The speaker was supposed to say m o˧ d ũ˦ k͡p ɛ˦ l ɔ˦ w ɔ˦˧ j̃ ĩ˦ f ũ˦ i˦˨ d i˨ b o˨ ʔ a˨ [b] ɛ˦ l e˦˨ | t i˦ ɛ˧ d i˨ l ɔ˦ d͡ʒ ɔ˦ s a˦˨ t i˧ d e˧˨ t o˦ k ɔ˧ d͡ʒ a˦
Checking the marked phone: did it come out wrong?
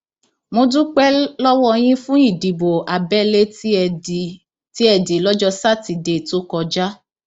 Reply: no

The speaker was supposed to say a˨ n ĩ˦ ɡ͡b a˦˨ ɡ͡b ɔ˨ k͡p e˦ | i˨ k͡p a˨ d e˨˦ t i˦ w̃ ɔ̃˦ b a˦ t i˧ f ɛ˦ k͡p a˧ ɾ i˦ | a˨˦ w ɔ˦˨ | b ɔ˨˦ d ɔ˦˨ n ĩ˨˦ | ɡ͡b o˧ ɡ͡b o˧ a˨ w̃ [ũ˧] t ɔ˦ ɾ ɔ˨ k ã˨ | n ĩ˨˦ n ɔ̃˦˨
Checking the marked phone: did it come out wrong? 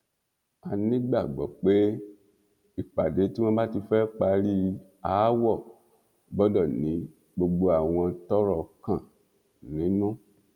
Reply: yes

